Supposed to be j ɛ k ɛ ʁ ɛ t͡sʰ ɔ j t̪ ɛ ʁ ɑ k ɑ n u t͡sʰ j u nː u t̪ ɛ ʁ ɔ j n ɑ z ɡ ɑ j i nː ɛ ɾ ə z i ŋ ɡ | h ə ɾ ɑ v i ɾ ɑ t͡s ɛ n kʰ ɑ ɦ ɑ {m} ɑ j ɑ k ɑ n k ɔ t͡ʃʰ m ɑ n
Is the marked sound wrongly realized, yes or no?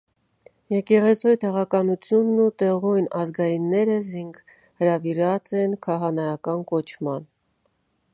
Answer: yes